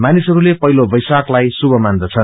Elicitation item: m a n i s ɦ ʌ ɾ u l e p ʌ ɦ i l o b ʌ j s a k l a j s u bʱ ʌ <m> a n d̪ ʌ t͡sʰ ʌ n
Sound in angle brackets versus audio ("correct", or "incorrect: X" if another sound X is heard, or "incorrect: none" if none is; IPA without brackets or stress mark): correct